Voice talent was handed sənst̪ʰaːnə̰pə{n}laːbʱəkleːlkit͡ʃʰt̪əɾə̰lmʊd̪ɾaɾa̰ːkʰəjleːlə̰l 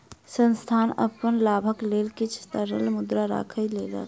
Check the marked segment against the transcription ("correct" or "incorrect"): correct